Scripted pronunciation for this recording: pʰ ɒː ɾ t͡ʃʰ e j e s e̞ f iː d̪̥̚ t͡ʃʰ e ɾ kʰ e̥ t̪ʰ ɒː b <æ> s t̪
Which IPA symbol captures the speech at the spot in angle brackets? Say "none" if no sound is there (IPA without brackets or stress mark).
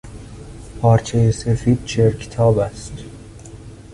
æ